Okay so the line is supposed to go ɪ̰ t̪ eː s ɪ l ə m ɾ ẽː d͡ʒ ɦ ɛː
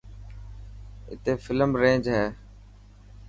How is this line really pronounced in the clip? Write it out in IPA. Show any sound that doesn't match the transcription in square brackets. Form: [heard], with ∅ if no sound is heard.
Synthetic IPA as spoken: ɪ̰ t̪ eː [f] ɪ l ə m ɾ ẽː d͡ʒ ɦ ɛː

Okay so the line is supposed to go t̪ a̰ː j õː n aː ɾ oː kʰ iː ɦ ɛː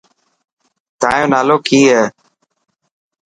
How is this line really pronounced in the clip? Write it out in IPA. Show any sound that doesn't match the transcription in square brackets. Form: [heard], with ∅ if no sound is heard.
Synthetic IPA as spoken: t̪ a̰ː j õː n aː [l] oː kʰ iː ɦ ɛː

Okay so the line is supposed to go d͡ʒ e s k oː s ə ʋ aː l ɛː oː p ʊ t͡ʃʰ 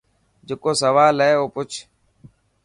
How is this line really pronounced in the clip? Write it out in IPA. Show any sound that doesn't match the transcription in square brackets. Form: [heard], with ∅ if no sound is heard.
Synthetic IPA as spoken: d͡ʒ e [∅] k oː s ə ʋ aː l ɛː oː p ʊ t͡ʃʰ

